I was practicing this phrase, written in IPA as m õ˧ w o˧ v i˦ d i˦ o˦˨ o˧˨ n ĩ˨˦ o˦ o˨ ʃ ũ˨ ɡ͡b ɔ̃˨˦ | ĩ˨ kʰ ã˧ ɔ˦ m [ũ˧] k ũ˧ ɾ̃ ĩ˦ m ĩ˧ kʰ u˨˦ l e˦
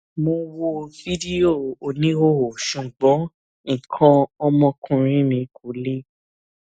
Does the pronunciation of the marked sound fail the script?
yes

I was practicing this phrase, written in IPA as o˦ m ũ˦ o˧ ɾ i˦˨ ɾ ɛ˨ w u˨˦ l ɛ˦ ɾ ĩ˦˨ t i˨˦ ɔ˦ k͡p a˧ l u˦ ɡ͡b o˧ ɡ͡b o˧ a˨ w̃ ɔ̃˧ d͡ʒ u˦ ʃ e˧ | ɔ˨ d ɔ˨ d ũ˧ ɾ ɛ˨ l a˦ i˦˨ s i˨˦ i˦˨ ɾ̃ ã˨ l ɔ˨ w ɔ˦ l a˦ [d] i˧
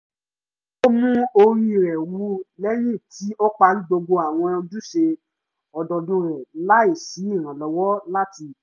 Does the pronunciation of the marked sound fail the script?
yes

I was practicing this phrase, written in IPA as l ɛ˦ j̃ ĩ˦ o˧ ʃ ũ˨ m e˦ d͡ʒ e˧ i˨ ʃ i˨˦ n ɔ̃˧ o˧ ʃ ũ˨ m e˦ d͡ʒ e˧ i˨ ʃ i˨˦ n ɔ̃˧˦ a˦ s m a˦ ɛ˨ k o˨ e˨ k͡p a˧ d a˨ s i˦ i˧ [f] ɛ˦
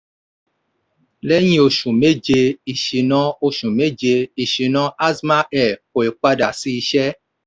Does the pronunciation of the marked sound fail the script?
yes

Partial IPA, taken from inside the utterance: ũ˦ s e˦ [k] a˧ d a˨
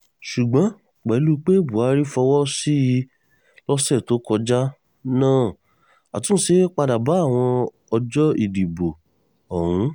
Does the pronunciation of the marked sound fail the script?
yes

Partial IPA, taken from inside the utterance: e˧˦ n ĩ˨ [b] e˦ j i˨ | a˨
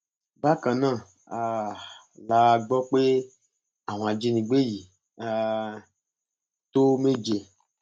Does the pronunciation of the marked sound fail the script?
yes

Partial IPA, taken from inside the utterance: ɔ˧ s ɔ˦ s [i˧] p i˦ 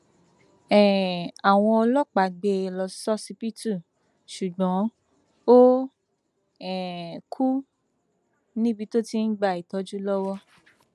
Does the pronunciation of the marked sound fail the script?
no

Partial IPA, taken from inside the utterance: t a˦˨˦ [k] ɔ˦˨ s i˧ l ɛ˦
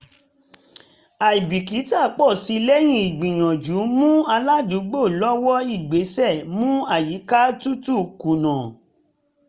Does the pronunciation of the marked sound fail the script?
yes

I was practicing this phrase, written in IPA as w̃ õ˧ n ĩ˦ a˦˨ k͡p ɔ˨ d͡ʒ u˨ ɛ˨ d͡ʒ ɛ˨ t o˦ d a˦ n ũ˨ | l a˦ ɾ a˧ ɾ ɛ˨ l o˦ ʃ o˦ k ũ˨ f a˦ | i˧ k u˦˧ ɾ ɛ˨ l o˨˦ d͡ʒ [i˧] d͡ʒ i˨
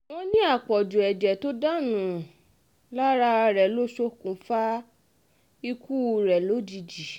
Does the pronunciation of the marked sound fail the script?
no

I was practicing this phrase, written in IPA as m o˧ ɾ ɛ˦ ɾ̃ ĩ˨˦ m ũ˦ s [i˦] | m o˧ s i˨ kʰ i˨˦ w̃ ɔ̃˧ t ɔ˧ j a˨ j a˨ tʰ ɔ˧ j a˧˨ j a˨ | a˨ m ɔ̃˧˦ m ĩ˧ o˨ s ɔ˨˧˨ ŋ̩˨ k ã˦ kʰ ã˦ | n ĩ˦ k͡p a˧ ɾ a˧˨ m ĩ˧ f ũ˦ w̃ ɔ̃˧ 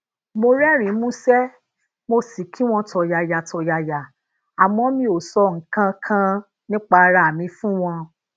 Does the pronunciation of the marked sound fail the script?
yes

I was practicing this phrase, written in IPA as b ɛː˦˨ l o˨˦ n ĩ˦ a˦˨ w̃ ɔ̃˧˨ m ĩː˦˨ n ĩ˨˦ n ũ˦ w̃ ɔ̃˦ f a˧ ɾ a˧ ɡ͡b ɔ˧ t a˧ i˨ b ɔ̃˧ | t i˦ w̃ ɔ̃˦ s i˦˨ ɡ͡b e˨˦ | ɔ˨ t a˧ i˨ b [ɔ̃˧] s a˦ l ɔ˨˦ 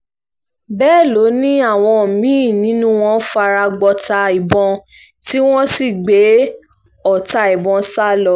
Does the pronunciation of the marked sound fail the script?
no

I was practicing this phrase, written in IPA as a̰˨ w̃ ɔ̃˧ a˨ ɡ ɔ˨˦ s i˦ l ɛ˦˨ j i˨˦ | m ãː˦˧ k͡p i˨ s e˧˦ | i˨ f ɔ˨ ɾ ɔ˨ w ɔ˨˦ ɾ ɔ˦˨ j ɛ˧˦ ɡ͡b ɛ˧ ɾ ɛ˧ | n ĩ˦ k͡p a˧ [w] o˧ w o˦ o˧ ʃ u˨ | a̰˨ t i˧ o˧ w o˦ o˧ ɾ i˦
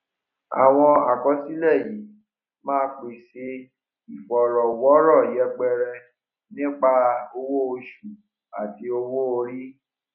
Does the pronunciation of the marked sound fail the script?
yes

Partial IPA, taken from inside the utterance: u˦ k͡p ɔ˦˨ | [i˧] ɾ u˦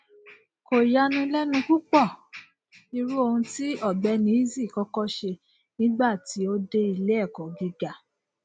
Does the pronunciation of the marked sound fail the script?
no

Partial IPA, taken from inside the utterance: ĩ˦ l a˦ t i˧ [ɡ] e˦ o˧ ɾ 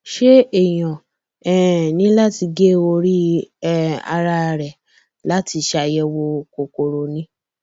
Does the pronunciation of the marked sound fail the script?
no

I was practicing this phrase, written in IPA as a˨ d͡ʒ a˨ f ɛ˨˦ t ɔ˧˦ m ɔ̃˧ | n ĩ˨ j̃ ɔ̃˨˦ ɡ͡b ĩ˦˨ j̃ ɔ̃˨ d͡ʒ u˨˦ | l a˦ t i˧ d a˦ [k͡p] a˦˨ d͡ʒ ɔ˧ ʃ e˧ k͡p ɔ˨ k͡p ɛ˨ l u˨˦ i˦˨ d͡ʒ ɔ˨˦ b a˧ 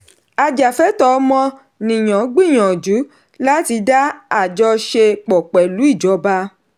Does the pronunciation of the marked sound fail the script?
yes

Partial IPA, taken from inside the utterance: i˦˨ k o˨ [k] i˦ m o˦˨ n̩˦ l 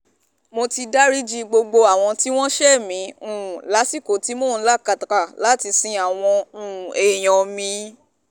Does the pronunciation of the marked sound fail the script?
yes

